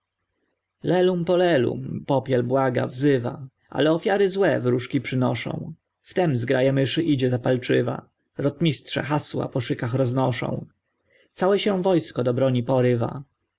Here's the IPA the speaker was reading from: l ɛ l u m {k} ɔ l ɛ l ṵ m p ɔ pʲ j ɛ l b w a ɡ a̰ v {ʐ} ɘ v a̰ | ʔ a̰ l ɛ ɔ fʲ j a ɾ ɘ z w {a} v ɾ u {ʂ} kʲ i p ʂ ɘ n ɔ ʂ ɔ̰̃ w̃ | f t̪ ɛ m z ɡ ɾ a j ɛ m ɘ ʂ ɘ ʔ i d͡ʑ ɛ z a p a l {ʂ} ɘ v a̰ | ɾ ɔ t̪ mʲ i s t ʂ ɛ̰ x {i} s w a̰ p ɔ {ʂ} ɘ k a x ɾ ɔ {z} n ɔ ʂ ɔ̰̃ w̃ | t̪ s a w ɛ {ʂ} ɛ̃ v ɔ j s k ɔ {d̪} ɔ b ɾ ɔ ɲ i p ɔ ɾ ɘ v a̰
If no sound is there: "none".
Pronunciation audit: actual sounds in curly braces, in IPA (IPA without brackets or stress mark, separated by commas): p, z, ɛ, ʂ, t͡ʂ, a, ʂ, z, ɕ, d̪